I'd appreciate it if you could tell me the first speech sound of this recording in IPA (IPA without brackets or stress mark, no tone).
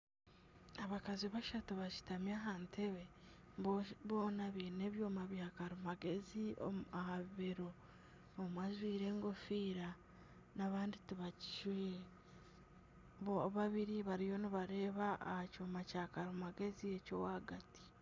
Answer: a